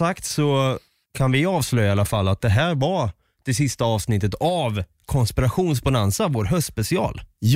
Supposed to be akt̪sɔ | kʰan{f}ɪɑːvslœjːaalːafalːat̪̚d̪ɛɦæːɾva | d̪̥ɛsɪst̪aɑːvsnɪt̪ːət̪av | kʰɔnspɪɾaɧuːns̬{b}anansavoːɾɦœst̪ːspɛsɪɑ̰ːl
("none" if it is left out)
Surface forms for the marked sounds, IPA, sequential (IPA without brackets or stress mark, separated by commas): v, b